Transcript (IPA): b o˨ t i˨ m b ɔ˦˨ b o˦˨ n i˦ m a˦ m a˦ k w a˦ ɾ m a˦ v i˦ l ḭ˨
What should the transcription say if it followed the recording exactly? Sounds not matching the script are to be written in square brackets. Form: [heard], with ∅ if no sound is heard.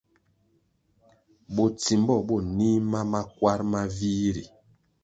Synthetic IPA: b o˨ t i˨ m b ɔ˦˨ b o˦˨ n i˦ m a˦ m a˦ k w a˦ ɾ m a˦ v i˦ [ɾ] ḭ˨